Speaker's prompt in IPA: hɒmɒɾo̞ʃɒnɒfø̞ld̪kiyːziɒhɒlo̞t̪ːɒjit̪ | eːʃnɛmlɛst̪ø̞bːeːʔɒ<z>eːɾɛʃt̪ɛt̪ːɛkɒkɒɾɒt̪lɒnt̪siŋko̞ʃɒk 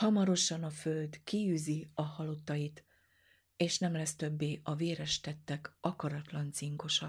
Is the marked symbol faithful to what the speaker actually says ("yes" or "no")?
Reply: no